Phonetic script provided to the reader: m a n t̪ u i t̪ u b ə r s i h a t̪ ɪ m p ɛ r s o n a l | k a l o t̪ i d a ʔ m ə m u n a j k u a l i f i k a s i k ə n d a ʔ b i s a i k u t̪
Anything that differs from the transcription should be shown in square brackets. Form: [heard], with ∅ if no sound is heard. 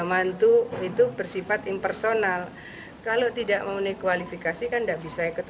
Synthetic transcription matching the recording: m a n t̪ u i t̪ u b ə r s i [f] a t̪ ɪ m p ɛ r s o n a l | k a l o t̪ i d a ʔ m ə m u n a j k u a l i f i k a s i k [a] n d a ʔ b i s a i k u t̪

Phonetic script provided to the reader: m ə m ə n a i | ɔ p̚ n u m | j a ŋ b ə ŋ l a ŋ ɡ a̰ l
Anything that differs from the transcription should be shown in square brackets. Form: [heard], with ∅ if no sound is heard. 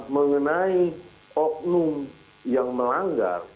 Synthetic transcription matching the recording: m ə [ŋ] ə n a i | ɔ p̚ n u m | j a ŋ [m] ə [∅] l a ŋ ɡ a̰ [r]

